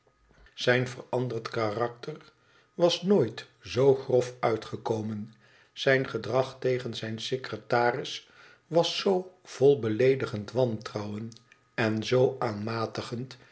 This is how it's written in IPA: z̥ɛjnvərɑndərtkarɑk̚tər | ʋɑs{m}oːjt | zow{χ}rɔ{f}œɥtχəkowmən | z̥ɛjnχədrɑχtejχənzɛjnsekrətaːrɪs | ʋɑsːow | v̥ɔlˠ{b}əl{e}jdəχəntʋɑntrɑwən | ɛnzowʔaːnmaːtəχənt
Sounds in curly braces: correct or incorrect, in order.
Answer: incorrect: n, correct, correct, correct, correct

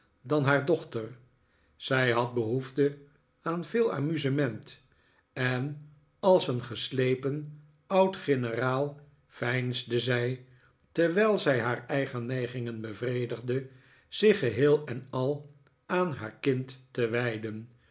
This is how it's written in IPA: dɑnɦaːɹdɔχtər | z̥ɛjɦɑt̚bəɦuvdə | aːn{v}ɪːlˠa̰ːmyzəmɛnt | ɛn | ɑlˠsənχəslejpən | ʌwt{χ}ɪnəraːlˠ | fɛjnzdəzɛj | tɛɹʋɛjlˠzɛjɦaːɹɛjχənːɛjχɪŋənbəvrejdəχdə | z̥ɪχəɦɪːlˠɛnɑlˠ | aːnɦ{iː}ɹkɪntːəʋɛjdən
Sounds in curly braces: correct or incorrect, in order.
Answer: correct, correct, incorrect: aː

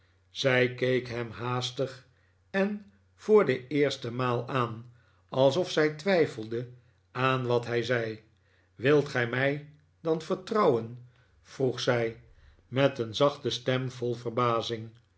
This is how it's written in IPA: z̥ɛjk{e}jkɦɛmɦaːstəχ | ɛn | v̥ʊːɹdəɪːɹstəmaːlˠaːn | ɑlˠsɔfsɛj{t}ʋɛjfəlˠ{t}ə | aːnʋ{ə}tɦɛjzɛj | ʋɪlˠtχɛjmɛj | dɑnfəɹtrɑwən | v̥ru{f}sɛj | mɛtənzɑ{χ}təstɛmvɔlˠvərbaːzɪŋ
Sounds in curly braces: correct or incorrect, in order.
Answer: correct, correct, incorrect: d, incorrect: ɑ, incorrect: χ, correct

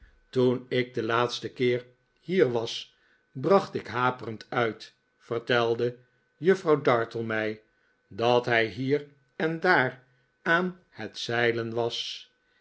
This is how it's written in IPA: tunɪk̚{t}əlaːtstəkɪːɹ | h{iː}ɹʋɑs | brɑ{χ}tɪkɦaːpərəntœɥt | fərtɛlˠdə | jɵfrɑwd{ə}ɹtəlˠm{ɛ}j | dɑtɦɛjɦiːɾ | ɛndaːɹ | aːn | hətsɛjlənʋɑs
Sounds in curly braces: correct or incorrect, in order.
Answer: incorrect: d, correct, correct, incorrect: ɑ, correct

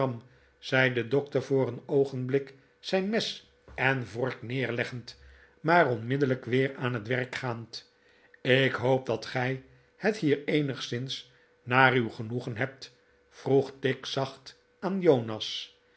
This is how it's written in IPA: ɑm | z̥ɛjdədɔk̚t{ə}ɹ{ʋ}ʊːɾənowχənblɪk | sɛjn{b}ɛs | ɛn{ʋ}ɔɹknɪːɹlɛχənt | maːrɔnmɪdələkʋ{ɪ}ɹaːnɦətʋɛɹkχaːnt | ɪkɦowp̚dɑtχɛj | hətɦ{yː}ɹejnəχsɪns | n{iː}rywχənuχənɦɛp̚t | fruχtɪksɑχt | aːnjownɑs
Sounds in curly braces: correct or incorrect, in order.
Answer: correct, incorrect: v, incorrect: m, incorrect: v, incorrect: ɪː, incorrect: iː, incorrect: aː

